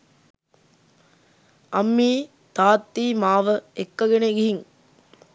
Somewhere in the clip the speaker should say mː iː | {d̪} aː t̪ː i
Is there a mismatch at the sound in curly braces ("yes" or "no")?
yes